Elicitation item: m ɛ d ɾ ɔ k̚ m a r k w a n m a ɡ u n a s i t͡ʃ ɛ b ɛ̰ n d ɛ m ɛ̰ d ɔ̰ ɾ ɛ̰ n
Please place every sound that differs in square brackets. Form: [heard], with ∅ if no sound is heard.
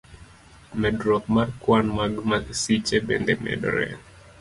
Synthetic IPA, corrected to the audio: m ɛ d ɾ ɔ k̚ m a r k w a n m a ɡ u [m] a s i t͡ʃ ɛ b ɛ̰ n d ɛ m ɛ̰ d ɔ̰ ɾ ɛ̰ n